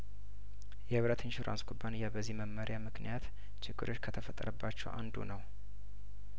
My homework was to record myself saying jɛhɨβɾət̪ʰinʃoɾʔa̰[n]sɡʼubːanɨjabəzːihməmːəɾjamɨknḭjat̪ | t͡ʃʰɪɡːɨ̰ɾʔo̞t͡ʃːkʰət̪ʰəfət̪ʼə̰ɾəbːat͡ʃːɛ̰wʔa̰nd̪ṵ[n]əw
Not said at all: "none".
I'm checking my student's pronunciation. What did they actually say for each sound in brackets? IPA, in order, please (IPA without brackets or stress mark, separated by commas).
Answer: n, n